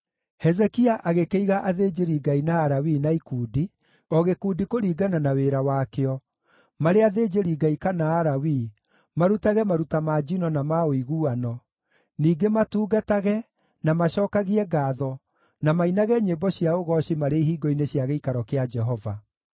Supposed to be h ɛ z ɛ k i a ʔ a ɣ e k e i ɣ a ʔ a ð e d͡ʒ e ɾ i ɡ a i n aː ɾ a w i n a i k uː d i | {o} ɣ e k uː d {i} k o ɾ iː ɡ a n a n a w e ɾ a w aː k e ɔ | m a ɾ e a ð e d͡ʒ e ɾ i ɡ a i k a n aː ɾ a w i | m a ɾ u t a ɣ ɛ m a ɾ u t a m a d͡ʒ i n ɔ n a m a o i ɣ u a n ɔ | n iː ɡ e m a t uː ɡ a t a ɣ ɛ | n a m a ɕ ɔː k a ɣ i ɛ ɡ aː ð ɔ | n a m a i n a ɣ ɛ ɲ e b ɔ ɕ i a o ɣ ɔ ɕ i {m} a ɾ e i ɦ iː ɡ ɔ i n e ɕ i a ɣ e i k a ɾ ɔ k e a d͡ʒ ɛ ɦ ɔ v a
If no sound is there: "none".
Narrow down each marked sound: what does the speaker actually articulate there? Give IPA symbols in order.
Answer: ɔ, i, m

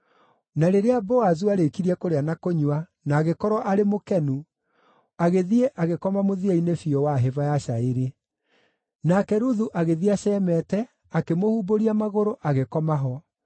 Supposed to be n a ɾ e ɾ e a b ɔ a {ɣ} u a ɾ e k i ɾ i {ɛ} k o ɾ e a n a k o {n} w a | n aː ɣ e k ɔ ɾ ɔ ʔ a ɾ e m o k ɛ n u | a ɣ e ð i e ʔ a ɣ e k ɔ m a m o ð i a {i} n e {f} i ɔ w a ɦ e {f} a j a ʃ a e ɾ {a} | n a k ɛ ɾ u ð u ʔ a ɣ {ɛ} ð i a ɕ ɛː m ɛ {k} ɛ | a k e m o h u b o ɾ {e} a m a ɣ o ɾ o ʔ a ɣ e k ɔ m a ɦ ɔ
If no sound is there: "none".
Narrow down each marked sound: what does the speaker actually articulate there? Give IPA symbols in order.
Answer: z, ɛ, ɲ, i, f, v, e, e, t, i

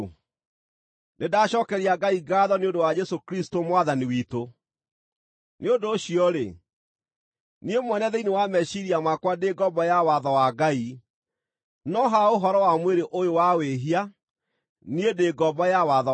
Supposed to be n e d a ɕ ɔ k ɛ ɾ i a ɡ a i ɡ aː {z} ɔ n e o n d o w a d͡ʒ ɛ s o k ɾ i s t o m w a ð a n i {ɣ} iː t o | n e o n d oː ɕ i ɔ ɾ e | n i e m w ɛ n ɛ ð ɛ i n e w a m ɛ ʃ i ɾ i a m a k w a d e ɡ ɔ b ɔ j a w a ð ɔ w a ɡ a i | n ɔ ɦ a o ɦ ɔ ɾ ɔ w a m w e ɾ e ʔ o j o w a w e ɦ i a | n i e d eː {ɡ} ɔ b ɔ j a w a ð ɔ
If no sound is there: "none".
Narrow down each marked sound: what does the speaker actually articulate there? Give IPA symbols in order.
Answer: ð, w, ɡ

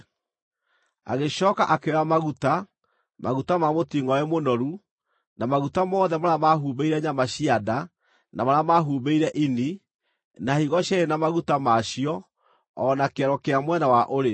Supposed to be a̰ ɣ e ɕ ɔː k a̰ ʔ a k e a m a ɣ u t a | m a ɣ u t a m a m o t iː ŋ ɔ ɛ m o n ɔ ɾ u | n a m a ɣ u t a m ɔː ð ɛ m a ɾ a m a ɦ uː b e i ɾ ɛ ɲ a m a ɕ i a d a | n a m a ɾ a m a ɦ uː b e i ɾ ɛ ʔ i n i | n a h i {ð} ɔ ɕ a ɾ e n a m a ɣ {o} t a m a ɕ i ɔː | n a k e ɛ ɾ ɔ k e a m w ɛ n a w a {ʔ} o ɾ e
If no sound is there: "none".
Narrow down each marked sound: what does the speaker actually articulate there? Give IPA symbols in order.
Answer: ɣ, u, ʔ

